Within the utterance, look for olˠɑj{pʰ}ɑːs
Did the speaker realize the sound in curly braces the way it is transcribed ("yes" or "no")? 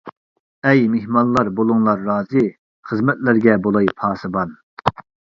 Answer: yes